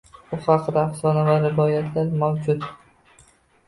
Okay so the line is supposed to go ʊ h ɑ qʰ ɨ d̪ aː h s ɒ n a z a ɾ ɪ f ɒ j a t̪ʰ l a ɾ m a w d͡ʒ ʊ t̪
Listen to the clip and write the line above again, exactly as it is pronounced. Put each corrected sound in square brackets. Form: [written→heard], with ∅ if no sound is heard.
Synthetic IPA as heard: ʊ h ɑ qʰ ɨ d̪ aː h s ɒ n a [z→v] a ɾ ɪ [f→v] ɒ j a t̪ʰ l a ɾ m a w d͡ʒ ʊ t̪